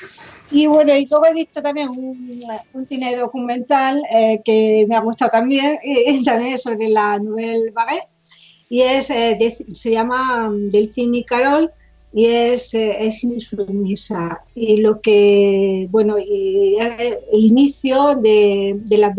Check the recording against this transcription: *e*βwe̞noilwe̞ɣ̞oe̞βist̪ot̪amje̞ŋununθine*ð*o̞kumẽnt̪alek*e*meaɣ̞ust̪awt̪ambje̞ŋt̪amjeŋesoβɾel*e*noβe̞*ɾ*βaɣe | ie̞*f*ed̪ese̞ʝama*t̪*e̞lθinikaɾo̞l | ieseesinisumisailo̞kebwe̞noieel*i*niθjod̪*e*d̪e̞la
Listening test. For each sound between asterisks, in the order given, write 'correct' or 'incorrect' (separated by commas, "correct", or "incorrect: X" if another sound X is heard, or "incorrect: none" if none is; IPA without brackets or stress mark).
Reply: incorrect: i, correct, correct, incorrect: a, incorrect: l, incorrect: s, incorrect: d̪, correct, correct